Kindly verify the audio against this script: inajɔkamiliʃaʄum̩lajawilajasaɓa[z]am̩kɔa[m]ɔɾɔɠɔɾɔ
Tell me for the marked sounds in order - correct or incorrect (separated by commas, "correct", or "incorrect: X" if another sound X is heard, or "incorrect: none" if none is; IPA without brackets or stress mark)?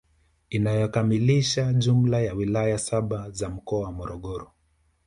correct, correct